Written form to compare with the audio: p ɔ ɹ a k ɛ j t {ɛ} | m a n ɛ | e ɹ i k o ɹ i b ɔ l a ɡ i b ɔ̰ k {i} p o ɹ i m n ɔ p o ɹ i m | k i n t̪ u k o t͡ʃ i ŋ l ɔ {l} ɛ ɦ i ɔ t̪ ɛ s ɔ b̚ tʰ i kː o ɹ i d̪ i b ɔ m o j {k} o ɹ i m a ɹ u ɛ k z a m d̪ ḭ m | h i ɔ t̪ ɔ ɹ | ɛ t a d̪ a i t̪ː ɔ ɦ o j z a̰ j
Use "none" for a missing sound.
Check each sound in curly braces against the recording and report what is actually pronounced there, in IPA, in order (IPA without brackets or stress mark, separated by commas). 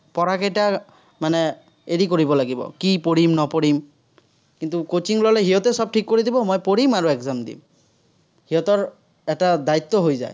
a, i, l, p